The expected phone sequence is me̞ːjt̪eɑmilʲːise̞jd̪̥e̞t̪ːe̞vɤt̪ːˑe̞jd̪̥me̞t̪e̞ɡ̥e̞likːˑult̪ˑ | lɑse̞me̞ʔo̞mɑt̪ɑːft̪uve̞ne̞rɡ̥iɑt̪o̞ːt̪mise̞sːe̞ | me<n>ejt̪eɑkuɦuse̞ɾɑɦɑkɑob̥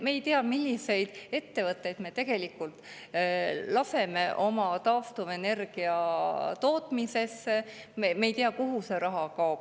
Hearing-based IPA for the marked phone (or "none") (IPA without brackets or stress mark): m